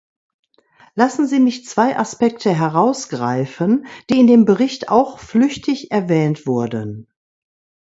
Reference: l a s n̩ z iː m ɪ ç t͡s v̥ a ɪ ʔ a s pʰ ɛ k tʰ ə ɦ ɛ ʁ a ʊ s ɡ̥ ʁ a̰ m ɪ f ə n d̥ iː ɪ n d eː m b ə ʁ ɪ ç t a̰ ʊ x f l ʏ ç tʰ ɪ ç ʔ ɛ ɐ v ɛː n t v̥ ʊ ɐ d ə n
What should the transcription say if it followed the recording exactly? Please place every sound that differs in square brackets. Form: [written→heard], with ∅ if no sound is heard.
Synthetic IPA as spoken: l a s n̩ z iː m ɪ ç t͡s v̥ a ɪ ʔ a s [pʰ→p] ɛ k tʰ ə ɦ ɛ ʁ a ʊ s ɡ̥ ʁ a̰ [m→∅] ɪ f ə n d̥ iː ɪ n d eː m b ə ʁ ɪ ç t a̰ ʊ x f l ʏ ç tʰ ɪ ç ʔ ɛ ɐ v ɛː n t v̥ ʊ ɐ d ə n

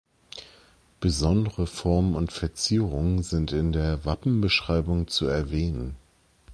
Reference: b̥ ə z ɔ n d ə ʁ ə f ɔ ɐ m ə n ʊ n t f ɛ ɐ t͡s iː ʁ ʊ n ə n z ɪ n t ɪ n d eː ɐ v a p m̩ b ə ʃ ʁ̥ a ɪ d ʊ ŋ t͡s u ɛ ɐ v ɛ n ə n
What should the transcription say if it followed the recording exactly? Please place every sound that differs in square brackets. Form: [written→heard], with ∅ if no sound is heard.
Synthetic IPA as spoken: b̥ ə z ɔ n d ə ʁ ə f ɔ ɐ m ə n ʊ n t f ɛ ɐ t͡s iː ʁ ʊ [n→ŋ] ə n z ɪ n t ɪ n d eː ɐ v a p m̩ b ə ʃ ʁ̥ a ɪ [d→b] ʊ ŋ t͡s u ɛ ɐ v [ɛ→ɛː] n ə n

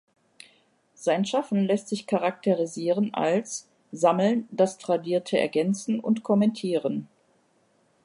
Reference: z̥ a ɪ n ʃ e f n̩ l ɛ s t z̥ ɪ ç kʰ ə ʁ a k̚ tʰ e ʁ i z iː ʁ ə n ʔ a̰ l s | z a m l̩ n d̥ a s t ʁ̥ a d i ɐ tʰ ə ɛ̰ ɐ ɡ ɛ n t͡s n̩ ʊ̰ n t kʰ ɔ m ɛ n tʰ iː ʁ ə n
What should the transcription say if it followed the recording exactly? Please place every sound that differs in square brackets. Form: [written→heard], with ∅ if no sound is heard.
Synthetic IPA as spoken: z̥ a ɪ n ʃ [e→a] f n̩ l ɛ s t z̥ ɪ ç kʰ [ə→a] ʁ a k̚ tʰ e ʁ i z iː ʁ ə n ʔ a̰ l s | z a m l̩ n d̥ a s t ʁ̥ a d [i→iː] ɐ tʰ ə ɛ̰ ɐ ɡ ɛ n t͡s n̩ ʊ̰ n t kʰ ɔ m ɛ n tʰ iː ʁ ə n

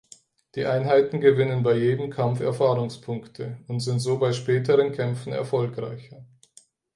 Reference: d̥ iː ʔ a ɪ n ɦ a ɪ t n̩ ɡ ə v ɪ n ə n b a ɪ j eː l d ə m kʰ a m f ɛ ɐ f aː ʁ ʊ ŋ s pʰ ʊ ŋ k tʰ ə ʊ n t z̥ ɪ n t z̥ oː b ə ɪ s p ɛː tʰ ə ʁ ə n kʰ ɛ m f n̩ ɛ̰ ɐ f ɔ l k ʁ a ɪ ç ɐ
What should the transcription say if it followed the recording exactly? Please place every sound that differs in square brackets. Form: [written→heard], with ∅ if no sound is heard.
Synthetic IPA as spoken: d̥ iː ʔ a ɪ n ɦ a ɪ t n̩ ɡ ə v ɪ n ə n b a ɪ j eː [l→∅] d ə m kʰ a m f ɛ ɐ f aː ʁ ʊ ŋ s pʰ ʊ ŋ k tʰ ə ʊ n t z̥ ɪ n t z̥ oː b [ə→a] ɪ [s→ʃ] p ɛː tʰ ə ʁ ə n kʰ ɛ m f n̩ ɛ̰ ɐ f ɔ l k ʁ a ɪ ç ɐ

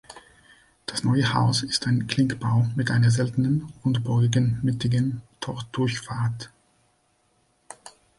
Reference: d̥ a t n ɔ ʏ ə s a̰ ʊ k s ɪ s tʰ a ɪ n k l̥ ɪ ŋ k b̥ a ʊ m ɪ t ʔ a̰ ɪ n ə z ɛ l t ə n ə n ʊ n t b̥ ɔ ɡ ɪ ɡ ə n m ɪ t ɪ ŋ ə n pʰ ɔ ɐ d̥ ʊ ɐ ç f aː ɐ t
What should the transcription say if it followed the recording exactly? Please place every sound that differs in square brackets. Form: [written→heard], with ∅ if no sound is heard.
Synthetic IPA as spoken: d̥ a [t→s] n ɔ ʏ ə [s→h] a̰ ʊ [k→∅] s ɪ s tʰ a ɪ n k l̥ ɪ ŋ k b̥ a ʊ m ɪ t ʔ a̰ ɪ n [ə→ɐ] z ɛ l t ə n ə n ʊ n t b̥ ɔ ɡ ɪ ɡ ə n m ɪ t ɪ [ŋ→ɡ] ə n [pʰ→tʰ] ɔ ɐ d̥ ʊ ɐ ç f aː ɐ t

